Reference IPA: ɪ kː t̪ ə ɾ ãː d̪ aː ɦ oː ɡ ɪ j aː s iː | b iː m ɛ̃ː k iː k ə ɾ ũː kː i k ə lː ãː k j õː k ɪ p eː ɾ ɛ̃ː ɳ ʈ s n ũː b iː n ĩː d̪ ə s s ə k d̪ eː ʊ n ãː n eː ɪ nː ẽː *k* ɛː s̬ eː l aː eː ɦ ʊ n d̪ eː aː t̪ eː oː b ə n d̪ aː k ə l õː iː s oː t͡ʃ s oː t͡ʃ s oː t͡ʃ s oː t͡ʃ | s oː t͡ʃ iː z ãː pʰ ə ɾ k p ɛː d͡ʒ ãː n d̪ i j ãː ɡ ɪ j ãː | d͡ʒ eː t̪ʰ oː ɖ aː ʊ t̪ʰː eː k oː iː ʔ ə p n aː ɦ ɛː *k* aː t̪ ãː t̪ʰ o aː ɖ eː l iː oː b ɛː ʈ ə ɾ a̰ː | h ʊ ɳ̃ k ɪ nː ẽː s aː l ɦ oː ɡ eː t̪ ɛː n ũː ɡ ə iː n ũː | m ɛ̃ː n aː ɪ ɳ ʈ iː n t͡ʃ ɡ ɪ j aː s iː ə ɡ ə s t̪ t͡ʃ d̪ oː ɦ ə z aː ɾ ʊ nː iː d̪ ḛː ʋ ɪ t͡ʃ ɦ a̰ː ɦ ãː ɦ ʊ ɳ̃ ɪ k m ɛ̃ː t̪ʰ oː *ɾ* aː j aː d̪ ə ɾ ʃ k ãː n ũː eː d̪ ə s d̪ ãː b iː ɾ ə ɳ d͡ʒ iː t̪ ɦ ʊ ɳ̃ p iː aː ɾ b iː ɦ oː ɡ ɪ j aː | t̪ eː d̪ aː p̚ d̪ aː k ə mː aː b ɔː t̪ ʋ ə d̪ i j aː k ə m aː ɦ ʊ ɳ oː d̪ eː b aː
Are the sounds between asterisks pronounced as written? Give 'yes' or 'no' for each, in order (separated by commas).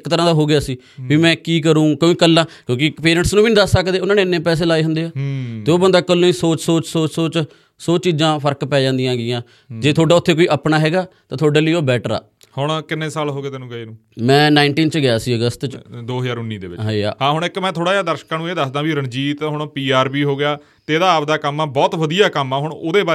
no, no, no